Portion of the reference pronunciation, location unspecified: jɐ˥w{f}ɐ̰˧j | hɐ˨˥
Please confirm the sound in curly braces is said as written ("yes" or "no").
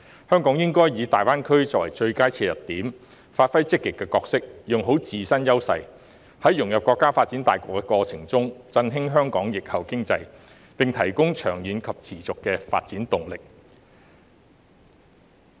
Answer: no